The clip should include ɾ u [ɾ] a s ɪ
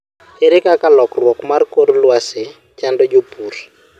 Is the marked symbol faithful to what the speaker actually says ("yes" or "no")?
no